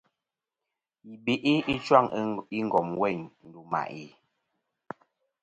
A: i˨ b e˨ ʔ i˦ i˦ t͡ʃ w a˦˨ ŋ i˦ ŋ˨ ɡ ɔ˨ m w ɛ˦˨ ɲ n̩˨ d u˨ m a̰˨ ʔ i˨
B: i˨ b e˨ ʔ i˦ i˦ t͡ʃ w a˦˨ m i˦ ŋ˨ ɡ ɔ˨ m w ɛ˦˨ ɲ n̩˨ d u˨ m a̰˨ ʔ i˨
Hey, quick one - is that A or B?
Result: A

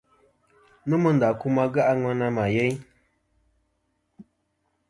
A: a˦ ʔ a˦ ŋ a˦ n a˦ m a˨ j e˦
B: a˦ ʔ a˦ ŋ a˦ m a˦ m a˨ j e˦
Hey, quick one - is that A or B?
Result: A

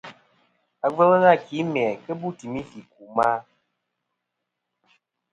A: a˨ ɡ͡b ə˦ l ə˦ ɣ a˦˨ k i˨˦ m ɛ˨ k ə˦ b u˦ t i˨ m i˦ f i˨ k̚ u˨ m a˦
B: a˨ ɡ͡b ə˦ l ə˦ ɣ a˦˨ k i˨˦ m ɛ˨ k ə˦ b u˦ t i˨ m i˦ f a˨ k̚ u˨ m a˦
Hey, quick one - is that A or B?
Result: A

